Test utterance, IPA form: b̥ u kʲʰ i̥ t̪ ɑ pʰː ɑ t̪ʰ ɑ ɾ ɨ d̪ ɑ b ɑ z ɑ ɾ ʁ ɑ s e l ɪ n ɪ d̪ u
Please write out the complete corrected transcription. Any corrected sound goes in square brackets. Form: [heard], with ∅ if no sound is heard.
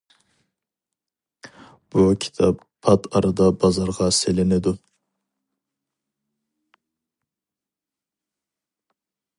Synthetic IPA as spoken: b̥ u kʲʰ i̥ [t̪ʰ] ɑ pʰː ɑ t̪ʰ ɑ ɾ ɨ d̪ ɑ b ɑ z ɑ ɾ ʁ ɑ s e l ɪ n ɪ d̪ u